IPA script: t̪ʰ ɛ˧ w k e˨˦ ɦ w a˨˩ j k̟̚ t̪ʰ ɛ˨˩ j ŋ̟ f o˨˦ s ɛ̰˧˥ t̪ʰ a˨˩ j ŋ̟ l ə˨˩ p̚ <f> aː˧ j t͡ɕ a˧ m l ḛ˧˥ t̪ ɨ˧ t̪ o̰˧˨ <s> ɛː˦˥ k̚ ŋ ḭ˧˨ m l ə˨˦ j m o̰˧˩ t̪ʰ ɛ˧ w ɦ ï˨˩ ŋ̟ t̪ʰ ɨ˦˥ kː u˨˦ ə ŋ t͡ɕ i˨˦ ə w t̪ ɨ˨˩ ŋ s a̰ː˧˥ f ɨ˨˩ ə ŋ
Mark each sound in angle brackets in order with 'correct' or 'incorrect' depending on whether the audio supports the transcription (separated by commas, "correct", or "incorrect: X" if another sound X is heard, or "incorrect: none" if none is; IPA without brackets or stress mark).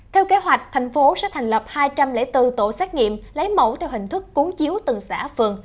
incorrect: h, correct